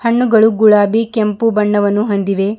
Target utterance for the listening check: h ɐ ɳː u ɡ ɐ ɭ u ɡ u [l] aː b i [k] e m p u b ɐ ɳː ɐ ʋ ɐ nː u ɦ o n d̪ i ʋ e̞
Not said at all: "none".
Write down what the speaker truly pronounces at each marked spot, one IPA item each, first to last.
ɭ, k

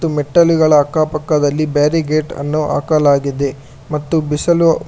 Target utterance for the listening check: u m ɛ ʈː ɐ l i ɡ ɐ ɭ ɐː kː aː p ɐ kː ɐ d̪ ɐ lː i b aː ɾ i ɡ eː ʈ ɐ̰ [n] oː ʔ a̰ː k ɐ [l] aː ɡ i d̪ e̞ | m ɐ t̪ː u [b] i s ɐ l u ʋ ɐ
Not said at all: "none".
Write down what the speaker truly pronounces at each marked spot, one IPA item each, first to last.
nː, l, b

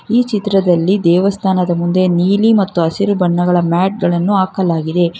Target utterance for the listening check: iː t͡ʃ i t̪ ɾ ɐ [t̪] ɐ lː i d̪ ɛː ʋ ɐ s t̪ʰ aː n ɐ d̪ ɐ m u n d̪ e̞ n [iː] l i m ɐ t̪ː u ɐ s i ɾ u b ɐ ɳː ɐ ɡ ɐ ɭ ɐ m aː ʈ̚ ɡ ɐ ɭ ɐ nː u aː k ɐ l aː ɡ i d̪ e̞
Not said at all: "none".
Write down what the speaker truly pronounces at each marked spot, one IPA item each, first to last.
d̪, iː

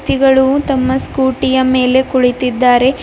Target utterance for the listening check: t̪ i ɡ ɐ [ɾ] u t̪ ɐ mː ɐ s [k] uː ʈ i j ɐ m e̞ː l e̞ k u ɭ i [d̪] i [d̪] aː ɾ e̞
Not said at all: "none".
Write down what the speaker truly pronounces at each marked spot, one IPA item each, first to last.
ɭ, k, t̪, d̪ː

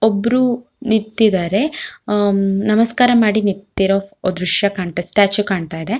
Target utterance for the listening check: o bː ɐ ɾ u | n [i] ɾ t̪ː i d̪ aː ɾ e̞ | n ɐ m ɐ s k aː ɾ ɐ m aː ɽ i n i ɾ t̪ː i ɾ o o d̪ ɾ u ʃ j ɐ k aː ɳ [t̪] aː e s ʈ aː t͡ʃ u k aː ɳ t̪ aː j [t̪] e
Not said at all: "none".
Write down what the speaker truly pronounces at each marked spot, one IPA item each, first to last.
i, t̪, d̪

